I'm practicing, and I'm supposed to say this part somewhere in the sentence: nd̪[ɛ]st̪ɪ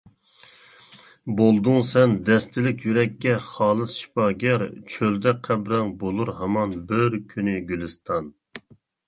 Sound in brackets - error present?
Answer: no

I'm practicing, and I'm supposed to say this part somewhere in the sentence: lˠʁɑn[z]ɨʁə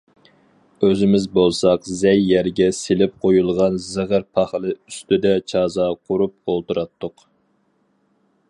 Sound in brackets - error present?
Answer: no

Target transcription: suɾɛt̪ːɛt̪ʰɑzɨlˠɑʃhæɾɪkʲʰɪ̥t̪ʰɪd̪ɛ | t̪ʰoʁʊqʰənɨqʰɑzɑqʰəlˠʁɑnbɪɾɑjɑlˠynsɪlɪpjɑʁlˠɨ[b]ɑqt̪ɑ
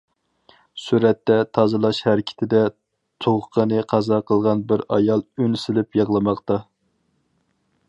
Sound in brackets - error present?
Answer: yes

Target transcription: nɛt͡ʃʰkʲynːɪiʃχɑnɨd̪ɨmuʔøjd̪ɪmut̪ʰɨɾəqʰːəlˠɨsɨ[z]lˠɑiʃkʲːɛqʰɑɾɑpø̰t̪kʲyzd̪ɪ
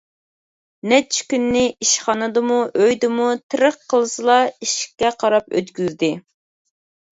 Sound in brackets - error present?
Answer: yes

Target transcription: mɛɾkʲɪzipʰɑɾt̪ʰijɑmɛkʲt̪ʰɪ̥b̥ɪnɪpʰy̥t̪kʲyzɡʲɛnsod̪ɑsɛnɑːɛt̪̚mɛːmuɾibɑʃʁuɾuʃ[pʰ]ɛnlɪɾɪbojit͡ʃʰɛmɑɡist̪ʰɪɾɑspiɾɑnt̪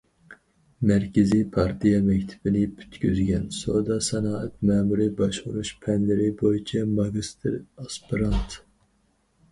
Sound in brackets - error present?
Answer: no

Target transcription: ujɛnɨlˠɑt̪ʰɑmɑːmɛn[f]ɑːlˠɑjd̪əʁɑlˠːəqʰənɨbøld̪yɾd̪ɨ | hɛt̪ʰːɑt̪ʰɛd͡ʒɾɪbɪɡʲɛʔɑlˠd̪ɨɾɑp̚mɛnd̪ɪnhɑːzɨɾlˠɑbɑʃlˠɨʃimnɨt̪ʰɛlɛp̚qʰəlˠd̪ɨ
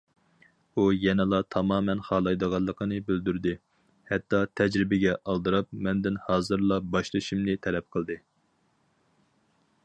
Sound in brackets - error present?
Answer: yes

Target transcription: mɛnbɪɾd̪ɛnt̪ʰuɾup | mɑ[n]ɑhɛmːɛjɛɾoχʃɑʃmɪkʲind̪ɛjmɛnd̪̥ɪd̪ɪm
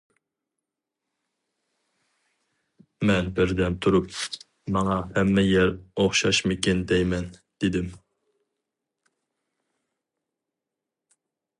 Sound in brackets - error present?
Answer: yes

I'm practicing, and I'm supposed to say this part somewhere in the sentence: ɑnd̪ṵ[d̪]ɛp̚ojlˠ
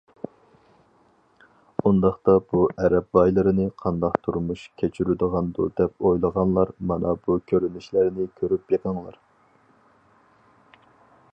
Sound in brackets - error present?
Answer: no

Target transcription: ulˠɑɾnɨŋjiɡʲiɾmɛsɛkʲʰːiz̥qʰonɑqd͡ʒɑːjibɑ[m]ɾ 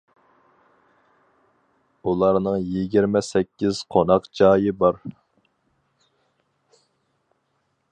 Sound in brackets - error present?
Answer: yes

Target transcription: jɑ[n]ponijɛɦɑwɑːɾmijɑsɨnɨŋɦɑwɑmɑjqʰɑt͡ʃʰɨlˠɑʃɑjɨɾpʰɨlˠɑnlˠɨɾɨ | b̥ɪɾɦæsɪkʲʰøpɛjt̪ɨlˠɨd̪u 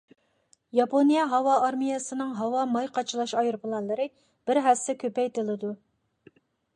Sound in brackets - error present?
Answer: yes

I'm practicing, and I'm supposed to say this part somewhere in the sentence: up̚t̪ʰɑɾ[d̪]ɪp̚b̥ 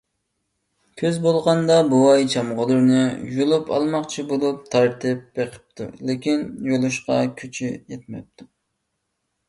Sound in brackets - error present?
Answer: yes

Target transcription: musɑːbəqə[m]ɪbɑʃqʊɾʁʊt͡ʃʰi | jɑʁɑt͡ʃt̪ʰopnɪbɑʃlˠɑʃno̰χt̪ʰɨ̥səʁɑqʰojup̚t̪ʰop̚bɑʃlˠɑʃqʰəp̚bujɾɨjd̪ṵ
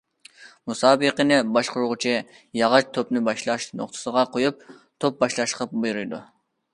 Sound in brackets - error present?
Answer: yes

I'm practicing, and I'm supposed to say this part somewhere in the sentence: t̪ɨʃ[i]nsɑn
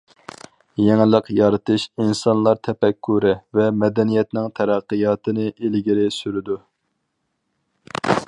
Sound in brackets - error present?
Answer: no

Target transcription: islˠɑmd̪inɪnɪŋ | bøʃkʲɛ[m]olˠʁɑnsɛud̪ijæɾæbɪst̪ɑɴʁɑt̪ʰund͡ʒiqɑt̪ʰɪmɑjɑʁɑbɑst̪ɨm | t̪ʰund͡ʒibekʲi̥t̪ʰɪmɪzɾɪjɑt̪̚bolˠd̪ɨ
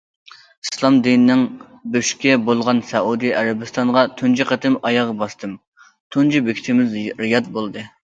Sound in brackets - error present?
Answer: yes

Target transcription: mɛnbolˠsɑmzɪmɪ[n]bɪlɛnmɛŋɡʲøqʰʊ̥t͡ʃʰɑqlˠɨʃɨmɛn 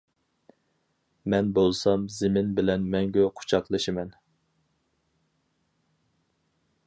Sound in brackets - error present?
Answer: no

